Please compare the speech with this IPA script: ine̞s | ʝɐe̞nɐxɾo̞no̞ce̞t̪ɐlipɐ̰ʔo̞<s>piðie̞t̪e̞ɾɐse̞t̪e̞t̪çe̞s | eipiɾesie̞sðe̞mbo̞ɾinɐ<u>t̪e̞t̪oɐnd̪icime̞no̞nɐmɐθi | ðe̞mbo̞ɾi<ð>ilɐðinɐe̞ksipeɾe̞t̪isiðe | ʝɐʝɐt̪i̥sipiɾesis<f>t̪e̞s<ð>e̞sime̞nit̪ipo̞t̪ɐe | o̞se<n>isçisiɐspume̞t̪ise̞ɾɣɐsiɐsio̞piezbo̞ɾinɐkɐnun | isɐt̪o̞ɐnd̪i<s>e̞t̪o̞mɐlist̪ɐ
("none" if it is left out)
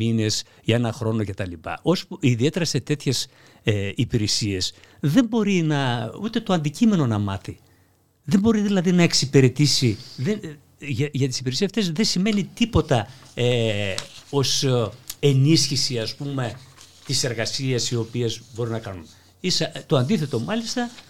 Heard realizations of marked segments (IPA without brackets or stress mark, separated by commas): s, u, ð, f, ð, n, θ